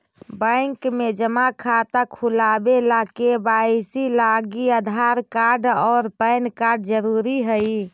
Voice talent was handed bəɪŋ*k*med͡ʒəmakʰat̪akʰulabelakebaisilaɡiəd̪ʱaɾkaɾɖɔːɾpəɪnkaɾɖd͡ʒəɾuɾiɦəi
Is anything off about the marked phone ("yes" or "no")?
no